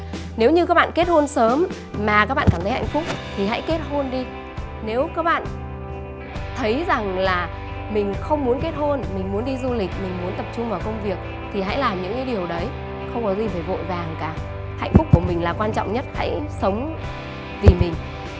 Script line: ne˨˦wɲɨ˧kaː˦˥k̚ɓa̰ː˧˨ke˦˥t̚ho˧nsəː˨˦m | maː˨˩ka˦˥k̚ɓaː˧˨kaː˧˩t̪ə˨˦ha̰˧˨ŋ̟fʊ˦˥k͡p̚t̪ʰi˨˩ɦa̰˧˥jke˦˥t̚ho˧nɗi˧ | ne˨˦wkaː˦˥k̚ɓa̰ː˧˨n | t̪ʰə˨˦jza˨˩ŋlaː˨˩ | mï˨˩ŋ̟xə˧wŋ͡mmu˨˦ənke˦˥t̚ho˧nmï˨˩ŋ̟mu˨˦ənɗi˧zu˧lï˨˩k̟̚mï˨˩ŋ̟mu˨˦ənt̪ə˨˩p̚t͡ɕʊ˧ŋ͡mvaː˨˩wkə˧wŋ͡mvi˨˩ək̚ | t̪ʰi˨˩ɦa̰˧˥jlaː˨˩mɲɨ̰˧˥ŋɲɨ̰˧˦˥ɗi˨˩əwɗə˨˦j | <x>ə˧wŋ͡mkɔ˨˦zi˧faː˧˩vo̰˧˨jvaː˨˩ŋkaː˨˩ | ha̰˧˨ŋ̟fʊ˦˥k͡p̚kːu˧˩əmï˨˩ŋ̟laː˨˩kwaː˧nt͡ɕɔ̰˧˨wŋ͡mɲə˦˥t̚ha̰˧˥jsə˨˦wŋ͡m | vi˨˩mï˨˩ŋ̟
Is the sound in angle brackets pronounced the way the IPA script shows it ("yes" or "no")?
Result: yes